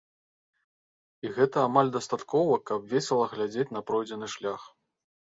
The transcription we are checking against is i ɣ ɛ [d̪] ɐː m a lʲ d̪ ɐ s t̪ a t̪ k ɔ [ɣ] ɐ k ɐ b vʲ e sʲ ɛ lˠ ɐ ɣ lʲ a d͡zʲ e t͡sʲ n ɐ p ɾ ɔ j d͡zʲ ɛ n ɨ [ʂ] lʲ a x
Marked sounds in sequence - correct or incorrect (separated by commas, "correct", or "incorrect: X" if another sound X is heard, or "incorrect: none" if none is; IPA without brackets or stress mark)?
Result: incorrect: t̪, incorrect: v, correct